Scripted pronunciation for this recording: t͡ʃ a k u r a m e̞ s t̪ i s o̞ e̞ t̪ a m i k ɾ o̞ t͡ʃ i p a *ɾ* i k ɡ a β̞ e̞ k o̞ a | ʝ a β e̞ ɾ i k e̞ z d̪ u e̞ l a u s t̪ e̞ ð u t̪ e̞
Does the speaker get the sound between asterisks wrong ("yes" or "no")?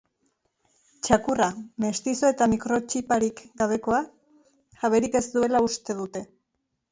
no